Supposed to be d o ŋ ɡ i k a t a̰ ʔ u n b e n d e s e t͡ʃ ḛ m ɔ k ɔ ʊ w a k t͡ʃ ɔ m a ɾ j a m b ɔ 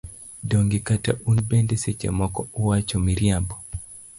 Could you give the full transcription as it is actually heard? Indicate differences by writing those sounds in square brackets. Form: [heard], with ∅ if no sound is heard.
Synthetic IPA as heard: d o ŋ ɡ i k a t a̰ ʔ u n b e n d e s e t͡ʃ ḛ m ɔ k ɔ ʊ w a [∅] t͡ʃ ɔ m [i] ɾ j a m b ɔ